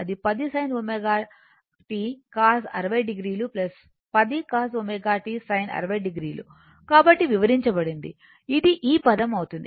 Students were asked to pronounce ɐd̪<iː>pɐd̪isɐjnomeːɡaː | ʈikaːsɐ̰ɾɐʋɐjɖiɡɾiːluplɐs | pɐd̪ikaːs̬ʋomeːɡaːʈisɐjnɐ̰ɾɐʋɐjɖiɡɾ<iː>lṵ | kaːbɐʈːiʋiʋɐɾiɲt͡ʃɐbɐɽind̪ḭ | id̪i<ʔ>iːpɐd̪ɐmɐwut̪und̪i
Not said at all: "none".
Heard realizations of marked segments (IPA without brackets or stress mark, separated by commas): i, iː, ʔ